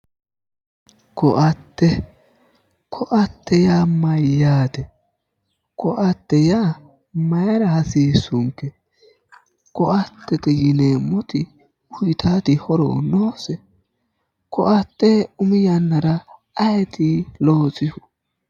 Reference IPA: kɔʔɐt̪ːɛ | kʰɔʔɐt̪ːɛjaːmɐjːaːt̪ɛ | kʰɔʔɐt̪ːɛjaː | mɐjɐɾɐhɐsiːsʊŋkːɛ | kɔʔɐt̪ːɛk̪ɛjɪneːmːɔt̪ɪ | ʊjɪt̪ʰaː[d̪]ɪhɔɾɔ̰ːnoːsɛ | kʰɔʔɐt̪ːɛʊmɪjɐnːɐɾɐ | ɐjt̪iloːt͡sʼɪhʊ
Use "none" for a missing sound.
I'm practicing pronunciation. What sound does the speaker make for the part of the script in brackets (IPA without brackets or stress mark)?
t̪